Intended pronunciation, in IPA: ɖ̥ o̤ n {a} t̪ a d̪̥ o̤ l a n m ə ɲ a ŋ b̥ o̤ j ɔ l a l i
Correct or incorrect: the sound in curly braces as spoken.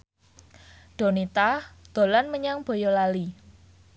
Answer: incorrect: i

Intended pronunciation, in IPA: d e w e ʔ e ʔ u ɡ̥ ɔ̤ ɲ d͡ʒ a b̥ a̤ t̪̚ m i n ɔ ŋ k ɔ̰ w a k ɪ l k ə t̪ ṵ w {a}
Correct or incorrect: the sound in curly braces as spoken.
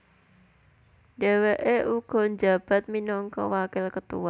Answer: correct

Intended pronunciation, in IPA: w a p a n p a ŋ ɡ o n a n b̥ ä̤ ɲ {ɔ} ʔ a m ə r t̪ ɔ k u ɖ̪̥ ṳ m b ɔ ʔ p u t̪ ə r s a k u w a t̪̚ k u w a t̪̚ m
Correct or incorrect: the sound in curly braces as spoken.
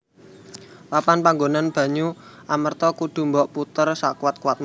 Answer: incorrect: u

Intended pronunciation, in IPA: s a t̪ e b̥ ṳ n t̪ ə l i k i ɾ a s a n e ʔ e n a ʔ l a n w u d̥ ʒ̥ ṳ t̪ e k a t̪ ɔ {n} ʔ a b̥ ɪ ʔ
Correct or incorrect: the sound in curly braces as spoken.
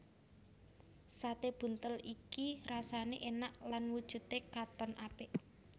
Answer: correct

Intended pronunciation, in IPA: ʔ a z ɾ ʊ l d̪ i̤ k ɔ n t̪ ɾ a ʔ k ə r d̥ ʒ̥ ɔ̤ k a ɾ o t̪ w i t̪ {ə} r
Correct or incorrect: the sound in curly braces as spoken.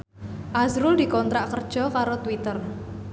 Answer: correct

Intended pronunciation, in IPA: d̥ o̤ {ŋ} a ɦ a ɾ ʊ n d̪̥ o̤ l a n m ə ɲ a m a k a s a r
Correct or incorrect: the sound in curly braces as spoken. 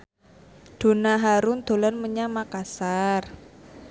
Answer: incorrect: n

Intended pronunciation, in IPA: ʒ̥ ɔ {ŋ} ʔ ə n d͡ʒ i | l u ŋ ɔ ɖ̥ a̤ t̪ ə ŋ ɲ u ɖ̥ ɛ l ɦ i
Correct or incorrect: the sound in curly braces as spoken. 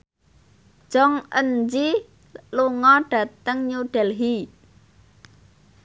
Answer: correct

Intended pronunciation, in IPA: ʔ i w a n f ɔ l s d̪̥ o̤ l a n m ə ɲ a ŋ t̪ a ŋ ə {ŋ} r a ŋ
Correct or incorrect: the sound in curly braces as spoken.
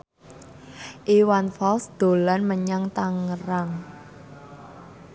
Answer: incorrect: none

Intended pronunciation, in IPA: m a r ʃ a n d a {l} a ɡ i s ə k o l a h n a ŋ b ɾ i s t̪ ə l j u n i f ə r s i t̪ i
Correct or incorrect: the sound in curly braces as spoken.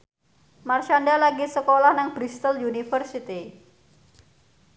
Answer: correct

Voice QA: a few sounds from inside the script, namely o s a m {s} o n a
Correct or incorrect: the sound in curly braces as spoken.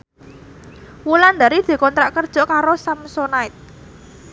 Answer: correct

